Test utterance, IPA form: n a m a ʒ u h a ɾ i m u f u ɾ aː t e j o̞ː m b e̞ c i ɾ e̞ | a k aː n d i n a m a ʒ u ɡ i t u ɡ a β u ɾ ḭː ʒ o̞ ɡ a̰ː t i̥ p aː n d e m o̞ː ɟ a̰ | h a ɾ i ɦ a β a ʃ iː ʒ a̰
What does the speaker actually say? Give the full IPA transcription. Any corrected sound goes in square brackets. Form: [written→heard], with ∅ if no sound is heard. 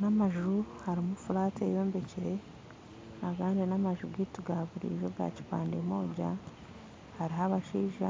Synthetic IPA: n a m a ʒ u h a ɾ i m u f u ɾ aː t e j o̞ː m b e̞ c i ɾ e̞ | a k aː n d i n a m a ʒ u ɡ i t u ɡ a β u ɾ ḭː ʒ o̞ ɡ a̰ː [t→c] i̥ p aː n d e m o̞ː ɟ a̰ | h a ɾ i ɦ a β a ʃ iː ʒ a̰